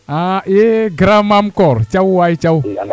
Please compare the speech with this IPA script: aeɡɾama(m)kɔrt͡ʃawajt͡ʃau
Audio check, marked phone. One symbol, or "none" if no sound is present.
m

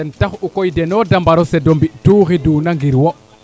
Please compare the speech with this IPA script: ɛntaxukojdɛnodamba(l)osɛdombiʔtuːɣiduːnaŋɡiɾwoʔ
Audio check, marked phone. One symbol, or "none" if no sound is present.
ɾ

